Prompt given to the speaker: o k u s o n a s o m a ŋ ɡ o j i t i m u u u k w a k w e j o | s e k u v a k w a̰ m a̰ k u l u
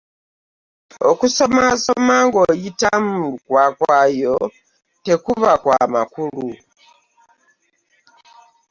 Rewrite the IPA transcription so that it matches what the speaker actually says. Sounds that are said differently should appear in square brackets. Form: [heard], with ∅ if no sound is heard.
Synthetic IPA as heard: o k u s o [m] a s o m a ŋ ɡ o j i t [a] m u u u k w a k w [a] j o | [t] e k u [β] a k w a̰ m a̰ k u l u